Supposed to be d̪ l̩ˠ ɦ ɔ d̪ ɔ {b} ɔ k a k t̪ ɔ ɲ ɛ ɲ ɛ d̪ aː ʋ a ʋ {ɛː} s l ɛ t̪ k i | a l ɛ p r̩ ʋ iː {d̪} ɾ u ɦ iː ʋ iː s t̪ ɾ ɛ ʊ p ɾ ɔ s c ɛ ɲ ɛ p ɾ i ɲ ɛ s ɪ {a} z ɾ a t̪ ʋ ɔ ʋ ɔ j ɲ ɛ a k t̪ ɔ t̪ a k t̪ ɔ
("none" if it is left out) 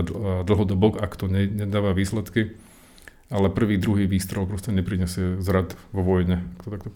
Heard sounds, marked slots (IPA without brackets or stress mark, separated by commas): b, iː, d̪, ɛ